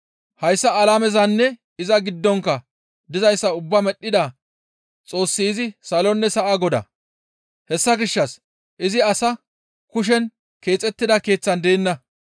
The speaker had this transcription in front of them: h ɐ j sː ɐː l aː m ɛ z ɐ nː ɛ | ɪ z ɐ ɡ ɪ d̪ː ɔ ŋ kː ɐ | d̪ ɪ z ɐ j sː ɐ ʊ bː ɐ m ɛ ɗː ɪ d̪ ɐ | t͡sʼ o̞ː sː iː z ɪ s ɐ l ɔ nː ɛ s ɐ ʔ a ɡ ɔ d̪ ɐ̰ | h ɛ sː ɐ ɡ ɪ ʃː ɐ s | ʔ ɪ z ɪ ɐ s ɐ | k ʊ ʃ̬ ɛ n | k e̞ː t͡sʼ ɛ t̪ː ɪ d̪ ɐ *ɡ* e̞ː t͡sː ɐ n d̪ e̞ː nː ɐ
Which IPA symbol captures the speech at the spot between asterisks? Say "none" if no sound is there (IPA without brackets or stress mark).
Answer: k